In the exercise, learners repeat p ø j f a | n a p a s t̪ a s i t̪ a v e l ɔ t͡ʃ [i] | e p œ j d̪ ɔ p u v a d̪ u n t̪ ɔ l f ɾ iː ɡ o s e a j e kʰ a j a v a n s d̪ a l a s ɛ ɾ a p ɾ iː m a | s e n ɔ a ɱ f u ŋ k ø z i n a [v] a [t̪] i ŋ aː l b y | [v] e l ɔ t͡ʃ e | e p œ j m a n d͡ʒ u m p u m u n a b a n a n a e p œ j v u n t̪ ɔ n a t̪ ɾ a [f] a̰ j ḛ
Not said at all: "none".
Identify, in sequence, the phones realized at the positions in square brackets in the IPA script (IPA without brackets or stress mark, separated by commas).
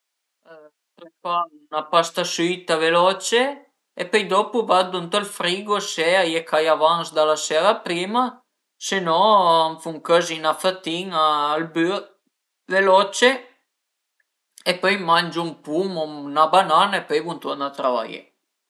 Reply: e, f, t̪, v, v